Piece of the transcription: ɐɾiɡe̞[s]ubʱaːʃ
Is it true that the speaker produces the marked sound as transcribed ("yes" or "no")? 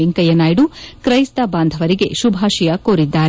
no